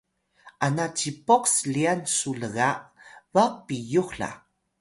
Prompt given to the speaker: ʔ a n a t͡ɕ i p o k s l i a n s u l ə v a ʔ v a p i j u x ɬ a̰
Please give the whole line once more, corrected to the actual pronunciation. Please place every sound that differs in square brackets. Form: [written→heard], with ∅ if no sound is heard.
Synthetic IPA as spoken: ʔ a n a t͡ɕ i p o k s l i a n s u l ə [v→ɣ] a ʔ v a p i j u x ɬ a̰